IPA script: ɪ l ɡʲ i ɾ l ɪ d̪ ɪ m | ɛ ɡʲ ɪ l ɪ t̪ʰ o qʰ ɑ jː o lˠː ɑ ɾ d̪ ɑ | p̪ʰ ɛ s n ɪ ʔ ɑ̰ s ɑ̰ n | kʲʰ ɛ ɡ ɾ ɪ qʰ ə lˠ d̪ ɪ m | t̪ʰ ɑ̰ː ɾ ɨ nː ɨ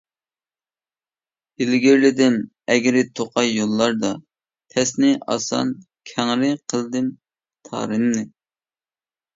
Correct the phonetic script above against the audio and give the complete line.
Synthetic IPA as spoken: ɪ l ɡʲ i ɾ l ɪ d̪ ɪ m | ɛ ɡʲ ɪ ɾ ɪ t̪ʰ o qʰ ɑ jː o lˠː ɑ ɾ d̪ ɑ | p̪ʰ ɛ s n ɪ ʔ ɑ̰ s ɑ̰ n | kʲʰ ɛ ŋ ɾ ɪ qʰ ə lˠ d̪ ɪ m | t̪ʰ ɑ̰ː ɾ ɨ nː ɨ